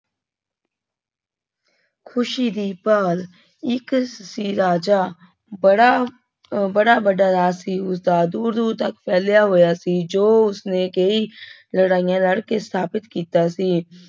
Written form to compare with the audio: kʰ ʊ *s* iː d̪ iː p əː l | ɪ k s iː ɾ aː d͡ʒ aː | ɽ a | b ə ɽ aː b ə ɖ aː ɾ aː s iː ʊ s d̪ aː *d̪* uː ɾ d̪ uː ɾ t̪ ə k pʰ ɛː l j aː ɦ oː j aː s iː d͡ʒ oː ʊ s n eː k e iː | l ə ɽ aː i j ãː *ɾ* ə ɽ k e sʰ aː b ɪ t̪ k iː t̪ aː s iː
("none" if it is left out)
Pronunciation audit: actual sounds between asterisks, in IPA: ʃ, d̪, l

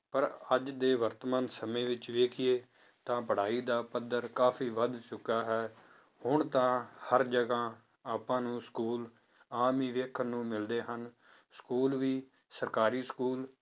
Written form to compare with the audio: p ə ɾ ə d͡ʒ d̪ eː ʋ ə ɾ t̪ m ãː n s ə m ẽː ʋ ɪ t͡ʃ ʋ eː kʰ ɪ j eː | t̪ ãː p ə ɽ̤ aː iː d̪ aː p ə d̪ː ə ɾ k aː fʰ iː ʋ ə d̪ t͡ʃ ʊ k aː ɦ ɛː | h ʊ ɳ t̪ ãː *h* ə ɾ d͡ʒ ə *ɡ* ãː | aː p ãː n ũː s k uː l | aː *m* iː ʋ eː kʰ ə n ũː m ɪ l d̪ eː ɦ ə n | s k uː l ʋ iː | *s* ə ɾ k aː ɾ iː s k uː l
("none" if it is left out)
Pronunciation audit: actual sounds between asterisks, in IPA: h, ɡ, m, s

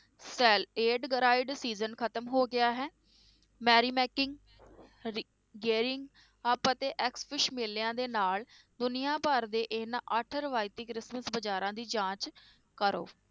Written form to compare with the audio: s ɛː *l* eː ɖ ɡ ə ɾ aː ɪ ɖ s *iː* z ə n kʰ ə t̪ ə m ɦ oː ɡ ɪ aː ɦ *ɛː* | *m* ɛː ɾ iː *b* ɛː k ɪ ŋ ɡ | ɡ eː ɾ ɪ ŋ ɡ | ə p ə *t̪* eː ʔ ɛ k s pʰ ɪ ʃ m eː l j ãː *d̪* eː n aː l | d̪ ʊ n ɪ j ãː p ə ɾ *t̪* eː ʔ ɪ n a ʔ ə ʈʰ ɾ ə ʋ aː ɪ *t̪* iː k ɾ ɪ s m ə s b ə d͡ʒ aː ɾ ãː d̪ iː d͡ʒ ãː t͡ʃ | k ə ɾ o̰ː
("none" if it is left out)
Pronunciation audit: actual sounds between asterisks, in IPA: l, iː, ɛː, m, m, t̪, d̪, d̪, t̪

